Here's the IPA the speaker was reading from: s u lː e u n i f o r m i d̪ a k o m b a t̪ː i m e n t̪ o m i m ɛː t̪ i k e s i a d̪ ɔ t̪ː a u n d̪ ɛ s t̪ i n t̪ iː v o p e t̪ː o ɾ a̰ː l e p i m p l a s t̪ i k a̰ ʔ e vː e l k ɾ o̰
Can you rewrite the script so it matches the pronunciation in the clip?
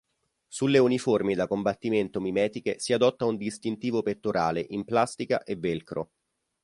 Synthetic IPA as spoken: s u lː e u n i f o r m i d̪ a k o m b a t̪ː i m e n t̪ o m i m ɛː t̪ i k e s i a d̪ ɔ t̪ː a u n d̪ i s t̪ i n t̪ iː v o p e t̪ː o ɾ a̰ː l e ʔ i m p l a s t̪ i k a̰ ʔ e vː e l k ɾ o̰